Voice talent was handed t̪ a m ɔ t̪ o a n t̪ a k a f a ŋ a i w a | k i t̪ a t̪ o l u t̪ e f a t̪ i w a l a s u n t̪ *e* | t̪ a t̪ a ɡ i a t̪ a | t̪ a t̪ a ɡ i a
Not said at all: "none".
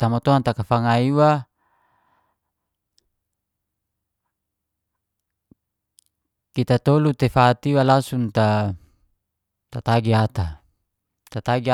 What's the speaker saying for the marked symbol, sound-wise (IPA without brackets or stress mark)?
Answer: a